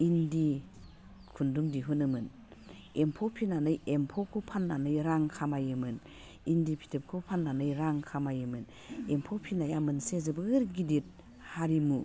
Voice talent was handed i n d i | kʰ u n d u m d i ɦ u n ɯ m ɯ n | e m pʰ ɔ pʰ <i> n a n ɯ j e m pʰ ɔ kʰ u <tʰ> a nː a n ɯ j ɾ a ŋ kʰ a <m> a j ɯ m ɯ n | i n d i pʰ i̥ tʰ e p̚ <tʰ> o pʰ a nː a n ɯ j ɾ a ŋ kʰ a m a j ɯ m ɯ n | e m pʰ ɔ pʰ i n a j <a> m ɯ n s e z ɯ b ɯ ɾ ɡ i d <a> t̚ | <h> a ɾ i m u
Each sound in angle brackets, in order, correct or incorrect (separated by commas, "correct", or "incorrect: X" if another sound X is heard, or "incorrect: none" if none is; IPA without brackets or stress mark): correct, incorrect: pʰ, correct, incorrect: kʰ, correct, incorrect: i, correct